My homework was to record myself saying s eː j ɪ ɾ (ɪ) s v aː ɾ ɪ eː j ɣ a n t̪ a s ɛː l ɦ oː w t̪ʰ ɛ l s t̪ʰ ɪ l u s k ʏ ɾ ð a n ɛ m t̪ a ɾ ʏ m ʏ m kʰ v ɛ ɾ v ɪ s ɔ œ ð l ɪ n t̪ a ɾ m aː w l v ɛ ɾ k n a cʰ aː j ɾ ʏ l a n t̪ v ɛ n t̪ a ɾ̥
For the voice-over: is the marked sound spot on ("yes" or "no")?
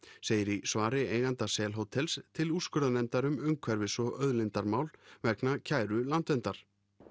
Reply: no